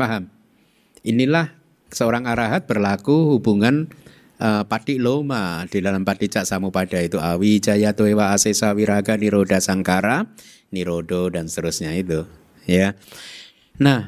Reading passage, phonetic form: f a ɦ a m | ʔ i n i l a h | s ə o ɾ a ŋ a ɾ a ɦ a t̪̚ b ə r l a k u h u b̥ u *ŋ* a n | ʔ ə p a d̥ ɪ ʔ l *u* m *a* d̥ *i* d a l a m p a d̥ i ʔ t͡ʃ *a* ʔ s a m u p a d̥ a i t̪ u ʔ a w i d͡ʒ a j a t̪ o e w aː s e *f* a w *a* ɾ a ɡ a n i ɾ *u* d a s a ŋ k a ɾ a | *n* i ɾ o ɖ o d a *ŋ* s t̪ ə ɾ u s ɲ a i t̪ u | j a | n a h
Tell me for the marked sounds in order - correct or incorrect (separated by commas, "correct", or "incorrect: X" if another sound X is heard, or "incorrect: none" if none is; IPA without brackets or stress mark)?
correct, incorrect: o, correct, correct, correct, incorrect: s, incorrect: i, incorrect: o, correct, incorrect: n